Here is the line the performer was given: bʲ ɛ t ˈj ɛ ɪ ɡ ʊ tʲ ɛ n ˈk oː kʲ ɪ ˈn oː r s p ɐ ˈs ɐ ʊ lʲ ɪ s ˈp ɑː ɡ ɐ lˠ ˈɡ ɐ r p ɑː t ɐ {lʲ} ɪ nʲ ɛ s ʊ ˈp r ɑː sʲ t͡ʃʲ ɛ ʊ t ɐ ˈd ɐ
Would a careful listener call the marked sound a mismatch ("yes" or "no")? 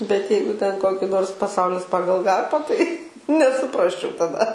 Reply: yes